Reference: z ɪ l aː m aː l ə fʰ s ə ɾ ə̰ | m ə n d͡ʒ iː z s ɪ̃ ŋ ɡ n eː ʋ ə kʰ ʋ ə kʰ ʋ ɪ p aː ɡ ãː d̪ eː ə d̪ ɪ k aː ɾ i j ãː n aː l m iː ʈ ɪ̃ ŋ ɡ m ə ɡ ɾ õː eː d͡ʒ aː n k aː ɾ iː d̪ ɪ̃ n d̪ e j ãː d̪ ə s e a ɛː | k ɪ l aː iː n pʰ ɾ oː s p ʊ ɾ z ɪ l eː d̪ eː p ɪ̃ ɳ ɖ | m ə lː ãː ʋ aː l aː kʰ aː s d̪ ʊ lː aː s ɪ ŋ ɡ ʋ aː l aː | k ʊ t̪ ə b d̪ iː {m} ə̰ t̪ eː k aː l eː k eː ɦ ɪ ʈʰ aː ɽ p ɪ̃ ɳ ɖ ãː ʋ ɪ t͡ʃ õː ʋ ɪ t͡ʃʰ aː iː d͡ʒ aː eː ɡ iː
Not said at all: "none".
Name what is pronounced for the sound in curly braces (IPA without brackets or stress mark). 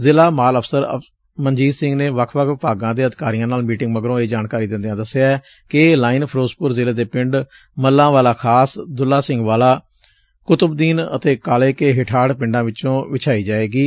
n